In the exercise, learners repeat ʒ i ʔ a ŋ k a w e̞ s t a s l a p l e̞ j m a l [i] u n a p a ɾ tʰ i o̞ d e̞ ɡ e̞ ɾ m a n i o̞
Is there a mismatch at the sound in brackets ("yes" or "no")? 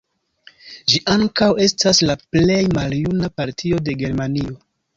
yes